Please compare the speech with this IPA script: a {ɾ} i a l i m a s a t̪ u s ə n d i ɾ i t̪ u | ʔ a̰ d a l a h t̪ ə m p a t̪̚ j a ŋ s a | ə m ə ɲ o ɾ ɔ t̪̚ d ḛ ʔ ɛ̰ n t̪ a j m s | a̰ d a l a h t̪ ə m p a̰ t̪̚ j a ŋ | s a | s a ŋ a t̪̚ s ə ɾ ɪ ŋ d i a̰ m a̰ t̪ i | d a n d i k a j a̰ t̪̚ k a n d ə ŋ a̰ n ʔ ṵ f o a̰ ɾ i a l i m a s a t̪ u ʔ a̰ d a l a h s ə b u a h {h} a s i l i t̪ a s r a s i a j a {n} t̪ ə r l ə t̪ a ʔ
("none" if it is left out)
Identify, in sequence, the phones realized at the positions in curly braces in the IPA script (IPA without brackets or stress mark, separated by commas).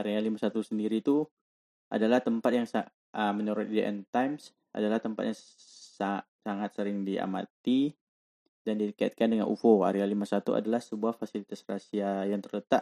ɾ, f, ŋ